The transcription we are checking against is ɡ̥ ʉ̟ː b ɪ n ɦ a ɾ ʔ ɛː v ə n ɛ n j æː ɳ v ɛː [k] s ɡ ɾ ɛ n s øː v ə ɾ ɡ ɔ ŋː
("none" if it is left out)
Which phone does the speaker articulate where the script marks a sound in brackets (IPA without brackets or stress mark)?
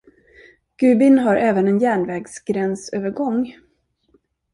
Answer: ɡ